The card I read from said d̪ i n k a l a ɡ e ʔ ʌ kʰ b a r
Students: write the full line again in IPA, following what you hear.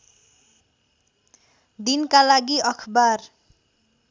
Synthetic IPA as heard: d̪ i n k a l a ɡ i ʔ ʌ kʰ b a r